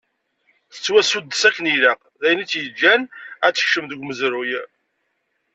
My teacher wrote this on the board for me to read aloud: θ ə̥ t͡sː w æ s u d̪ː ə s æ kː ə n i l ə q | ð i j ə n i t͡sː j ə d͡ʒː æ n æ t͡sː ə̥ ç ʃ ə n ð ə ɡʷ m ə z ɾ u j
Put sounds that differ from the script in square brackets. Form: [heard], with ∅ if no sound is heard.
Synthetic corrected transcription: θ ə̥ t͡sː w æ s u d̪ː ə s æ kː ə n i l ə q | ð [æ] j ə n i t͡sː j ə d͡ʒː æ n æ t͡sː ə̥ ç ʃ ə [m] ð ə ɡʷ m ə z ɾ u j